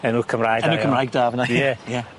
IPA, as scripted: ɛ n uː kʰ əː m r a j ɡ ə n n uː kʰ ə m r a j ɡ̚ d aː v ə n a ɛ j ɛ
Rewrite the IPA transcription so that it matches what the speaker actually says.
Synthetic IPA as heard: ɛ n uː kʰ ə m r a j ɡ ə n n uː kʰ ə m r a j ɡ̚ d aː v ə n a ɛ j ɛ